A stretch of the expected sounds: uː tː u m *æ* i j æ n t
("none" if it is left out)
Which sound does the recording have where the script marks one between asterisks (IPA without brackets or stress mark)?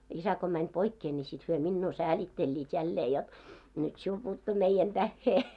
e